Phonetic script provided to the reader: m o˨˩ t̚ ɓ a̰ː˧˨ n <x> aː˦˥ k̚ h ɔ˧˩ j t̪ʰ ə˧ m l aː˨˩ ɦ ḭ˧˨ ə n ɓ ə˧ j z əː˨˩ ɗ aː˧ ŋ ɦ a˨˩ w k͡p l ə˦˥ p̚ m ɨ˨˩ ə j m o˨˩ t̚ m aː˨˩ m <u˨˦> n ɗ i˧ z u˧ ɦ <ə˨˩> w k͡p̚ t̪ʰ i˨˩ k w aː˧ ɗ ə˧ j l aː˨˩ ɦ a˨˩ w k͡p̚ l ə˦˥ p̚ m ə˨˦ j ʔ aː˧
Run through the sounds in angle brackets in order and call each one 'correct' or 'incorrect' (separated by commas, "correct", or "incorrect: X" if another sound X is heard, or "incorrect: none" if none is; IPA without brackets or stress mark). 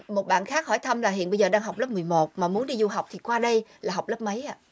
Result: correct, correct, incorrect: a˨˩